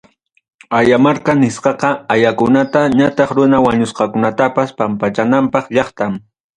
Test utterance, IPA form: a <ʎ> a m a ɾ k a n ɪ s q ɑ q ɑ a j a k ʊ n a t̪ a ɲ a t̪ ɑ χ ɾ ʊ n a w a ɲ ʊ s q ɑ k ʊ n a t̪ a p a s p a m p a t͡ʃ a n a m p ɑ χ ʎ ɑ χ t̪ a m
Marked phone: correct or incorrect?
incorrect